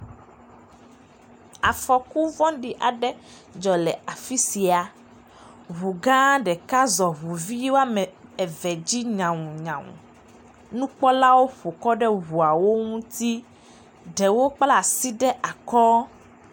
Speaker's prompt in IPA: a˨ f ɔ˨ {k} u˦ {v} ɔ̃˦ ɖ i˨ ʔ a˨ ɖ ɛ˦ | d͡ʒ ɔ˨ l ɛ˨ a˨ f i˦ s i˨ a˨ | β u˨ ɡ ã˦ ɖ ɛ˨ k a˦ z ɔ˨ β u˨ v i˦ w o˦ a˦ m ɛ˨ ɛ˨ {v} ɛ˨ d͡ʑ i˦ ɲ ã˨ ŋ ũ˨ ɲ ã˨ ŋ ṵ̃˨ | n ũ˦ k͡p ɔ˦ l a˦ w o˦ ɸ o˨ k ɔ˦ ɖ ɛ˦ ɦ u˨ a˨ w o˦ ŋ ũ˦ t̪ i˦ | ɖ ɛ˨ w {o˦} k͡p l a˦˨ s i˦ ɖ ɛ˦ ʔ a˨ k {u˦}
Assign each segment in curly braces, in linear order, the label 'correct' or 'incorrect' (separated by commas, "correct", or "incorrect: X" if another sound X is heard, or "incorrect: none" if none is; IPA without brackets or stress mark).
correct, correct, correct, correct, incorrect: ɔ˦